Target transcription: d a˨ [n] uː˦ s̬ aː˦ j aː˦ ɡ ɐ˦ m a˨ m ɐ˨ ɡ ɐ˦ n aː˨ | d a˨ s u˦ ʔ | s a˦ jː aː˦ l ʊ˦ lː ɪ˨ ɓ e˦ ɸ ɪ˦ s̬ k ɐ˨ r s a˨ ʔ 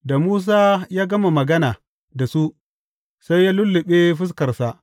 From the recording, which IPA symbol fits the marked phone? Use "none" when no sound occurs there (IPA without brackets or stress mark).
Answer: m